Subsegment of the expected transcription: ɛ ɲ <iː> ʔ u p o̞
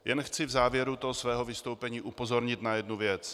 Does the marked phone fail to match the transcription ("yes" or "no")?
no